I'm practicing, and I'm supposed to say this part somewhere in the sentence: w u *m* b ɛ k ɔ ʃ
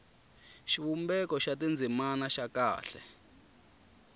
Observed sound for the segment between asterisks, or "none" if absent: m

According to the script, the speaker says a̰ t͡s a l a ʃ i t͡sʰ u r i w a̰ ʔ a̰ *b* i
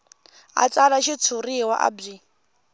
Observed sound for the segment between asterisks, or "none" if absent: b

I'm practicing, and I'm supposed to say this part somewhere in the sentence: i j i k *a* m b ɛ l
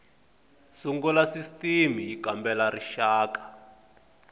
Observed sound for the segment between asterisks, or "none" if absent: a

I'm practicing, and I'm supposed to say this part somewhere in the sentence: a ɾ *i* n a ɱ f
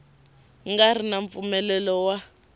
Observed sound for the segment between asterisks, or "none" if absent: i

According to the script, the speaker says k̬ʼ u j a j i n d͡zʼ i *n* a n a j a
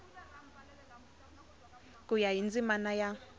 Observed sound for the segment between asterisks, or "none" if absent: m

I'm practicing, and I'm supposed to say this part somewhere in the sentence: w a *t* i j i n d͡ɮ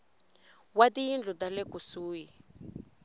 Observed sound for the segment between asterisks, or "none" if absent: t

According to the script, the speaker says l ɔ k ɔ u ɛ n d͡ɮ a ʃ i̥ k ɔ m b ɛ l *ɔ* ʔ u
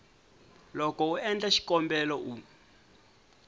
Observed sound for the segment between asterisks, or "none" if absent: ɔ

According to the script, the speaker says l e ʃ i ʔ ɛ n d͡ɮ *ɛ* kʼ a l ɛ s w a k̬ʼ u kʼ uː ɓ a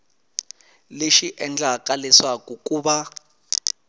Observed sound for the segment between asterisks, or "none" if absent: a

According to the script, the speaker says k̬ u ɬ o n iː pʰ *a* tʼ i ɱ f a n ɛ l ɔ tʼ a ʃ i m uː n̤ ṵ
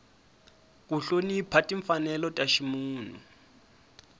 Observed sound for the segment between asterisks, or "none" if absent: a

